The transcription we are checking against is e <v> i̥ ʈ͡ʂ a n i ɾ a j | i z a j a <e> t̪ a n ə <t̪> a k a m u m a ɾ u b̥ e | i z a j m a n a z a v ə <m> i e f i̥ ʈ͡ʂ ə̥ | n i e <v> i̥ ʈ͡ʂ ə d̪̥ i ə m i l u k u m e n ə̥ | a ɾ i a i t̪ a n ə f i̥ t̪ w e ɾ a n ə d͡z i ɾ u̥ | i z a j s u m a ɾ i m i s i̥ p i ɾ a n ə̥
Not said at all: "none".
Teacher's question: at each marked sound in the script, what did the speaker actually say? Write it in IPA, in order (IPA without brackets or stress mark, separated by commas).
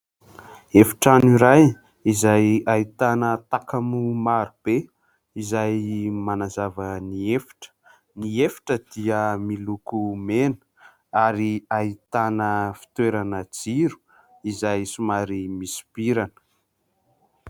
f, i, t̪, n, f